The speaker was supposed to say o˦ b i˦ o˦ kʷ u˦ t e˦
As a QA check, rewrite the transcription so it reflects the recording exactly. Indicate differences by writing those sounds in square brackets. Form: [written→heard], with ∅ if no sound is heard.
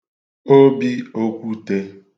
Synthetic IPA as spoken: o˦ b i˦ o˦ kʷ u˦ t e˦